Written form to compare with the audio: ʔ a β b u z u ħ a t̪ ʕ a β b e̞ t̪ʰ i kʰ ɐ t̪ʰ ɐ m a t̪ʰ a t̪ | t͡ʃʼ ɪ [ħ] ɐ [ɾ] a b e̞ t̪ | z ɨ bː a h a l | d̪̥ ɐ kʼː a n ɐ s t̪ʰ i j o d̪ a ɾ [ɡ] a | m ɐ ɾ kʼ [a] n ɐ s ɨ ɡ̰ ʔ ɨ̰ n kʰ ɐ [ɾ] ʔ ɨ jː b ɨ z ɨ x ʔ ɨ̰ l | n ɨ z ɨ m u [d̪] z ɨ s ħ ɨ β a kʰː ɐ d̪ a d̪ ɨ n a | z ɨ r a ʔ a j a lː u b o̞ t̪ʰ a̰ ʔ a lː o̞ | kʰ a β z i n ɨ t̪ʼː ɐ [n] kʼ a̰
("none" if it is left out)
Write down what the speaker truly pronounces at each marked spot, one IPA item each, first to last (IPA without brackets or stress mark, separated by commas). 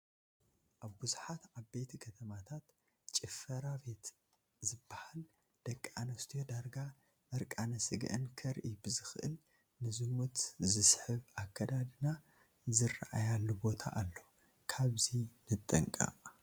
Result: f, ɾ, ɡ, a, ɾ, t̪, ŋ